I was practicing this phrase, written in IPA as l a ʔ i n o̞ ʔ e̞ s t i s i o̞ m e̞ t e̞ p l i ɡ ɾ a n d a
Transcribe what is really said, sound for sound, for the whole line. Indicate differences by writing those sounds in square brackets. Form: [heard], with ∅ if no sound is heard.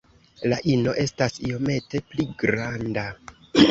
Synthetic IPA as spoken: l a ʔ i n o̞ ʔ e̞ s t [a] s i o̞ m e̞ t e̞ p l i ɡ ɾ a n d a